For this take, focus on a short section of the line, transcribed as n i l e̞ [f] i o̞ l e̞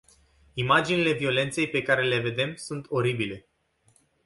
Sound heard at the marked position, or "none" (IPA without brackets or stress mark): v